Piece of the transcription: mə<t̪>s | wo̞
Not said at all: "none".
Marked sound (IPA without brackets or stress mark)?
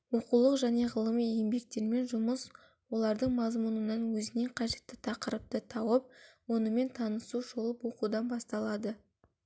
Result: none